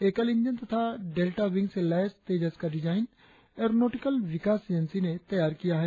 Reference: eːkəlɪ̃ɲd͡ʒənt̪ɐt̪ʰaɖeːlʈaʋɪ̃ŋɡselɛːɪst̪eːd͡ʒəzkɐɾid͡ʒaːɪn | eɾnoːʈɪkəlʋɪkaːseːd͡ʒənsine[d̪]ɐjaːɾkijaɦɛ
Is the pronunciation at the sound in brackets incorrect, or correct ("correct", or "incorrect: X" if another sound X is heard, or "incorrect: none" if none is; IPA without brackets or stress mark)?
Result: incorrect: t̪